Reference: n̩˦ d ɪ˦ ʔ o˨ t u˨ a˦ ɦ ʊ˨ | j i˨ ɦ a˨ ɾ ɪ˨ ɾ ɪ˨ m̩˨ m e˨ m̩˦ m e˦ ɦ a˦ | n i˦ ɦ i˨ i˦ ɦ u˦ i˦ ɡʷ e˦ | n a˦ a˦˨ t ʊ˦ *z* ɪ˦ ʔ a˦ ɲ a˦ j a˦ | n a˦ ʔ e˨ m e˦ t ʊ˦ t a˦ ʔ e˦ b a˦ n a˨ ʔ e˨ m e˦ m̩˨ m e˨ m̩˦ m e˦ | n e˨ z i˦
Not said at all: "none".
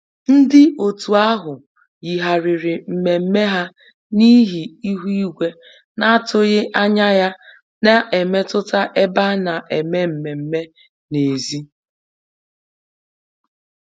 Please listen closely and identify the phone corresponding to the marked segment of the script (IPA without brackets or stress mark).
ɣ